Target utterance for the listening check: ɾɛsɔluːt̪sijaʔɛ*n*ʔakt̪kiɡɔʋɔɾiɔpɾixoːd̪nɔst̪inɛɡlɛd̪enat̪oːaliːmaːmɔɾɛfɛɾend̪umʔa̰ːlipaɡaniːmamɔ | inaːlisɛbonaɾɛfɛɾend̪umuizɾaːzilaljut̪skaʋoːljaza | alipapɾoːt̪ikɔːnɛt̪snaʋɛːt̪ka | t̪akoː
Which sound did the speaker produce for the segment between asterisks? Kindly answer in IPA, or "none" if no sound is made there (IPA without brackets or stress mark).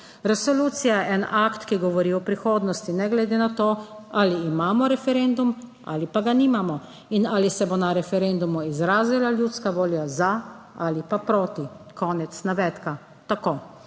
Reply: n